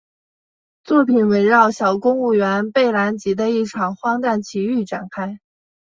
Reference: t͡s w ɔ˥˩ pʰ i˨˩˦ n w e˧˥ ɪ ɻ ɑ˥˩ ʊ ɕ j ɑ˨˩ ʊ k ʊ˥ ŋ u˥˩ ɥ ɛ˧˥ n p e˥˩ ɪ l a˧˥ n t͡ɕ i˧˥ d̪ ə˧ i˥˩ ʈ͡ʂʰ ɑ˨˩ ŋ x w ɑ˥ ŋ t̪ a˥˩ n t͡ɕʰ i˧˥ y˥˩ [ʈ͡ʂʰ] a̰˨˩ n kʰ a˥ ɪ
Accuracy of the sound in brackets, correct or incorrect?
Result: incorrect